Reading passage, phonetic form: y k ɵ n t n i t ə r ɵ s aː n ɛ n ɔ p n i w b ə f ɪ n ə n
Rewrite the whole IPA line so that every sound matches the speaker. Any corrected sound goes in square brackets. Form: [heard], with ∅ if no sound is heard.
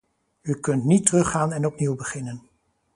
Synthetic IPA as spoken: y k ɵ n t n i t ə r ɵ [χ] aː n ɛ n ɔ p n i w b ə [χ] ɪ n ə n